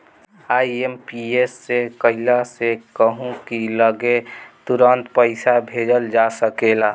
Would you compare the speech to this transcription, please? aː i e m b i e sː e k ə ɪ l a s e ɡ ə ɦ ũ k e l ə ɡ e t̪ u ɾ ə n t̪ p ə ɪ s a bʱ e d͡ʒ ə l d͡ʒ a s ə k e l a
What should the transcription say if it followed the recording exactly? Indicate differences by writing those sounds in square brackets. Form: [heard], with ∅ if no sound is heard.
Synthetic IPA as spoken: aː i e m [p] i e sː e k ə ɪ l a s e [k] ə ɦ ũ k [i] l ə ɡ e t̪ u ɾ ə n t̪ p ə ɪ s a bʱ e d͡ʒ ə l d͡ʒ a s ə k e l a